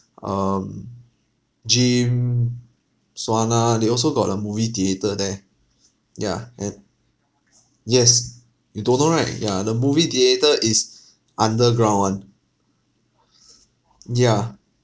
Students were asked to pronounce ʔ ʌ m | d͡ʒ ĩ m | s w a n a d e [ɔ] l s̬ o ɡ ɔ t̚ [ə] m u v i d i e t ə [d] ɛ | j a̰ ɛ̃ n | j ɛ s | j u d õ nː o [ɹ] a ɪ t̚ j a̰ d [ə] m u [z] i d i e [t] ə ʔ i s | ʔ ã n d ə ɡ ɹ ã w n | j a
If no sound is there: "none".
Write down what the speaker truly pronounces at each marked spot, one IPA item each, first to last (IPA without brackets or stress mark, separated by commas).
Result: ɔ, ə, d, ɹ, ə, v, t